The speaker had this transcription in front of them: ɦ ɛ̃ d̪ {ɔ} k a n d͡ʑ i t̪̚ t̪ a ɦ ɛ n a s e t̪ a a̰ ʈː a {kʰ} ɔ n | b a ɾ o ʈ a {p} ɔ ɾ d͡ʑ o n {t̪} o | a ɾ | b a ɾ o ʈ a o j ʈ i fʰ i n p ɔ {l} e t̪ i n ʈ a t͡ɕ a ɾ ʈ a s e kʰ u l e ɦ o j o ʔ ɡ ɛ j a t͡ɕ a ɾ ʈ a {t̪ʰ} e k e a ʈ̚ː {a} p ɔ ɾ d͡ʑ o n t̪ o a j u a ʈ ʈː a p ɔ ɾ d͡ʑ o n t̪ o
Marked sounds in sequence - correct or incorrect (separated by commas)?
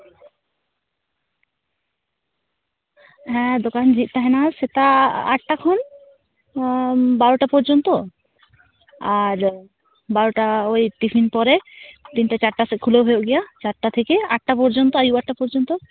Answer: incorrect, correct, correct, correct, incorrect, correct, correct